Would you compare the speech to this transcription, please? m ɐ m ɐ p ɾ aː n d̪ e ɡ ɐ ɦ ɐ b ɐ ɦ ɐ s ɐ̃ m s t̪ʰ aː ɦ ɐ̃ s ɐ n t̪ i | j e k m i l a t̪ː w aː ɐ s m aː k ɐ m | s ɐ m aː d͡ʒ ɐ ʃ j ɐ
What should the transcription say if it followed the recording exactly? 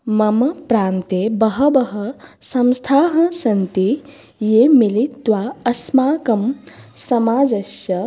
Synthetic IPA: m ɐ m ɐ p ɾ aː n t̪ e b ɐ ɦ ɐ b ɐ ɦ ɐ s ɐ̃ m s t̪ʰ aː ɦ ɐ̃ s ɐ n t̪ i | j e m i l i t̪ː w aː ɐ s m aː k ɐ m | s ɐ m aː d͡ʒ ɐ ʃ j ɐ